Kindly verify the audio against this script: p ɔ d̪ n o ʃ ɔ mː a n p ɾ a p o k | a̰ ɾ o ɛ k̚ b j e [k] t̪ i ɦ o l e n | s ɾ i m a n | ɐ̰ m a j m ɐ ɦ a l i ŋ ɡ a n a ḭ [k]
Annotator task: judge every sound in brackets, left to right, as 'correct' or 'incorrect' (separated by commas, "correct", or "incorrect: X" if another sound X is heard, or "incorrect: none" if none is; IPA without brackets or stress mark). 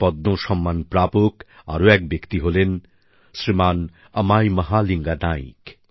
correct, correct